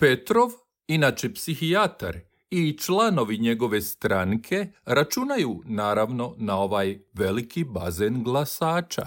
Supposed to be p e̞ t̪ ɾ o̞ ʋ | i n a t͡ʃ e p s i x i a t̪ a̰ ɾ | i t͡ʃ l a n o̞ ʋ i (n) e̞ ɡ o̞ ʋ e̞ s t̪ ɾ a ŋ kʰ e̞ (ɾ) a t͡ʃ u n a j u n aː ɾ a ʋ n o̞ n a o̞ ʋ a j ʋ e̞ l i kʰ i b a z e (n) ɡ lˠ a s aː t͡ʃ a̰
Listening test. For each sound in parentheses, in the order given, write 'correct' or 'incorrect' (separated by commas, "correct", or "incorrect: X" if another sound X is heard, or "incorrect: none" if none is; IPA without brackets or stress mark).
incorrect: ɲ, correct, correct